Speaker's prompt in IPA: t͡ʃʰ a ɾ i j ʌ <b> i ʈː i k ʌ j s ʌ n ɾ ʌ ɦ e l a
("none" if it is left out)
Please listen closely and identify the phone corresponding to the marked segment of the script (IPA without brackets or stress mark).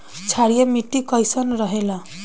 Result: m